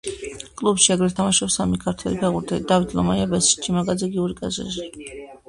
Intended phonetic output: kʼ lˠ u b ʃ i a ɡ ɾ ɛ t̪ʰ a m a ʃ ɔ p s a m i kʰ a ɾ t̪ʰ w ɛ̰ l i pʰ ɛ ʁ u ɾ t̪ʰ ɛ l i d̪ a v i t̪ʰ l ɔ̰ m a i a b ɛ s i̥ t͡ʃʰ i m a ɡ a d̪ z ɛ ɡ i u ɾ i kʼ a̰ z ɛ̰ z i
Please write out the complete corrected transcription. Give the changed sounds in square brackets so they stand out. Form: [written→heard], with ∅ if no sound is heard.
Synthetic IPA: kʼ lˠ u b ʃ i a ɡ ɾ ɛ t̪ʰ a m a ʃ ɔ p s a m i kʰ a ɾ t̪ʰ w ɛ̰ l i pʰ ɛ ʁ u ɾ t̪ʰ ɛ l i d̪ a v i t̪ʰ l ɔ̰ m a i a b ɛ s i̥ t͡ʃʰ i m a ɡ a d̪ z ɛ ɡ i u ɾ i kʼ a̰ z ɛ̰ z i